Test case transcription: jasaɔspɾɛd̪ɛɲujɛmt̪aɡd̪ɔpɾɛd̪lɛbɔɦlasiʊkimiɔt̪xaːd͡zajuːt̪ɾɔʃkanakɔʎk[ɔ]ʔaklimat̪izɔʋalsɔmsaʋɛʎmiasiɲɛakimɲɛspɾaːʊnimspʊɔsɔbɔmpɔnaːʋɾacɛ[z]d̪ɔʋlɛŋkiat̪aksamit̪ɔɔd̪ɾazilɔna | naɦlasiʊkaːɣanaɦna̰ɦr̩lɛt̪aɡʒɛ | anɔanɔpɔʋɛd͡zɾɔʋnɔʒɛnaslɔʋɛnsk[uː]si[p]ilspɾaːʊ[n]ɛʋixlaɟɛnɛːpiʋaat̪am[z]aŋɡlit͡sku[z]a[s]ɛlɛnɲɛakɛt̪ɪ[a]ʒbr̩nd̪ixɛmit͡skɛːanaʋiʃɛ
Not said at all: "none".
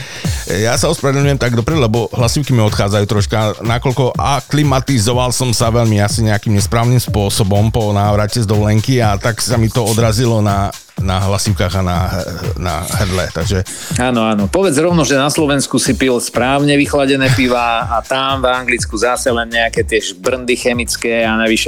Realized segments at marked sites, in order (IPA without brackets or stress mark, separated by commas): ɔ, z, u, p, ɲ, v, z, s, ɛ